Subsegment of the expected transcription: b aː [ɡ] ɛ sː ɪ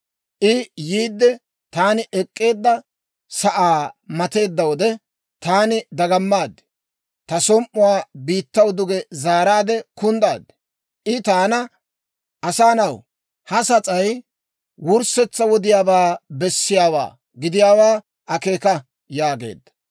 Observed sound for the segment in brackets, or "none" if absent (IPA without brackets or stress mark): b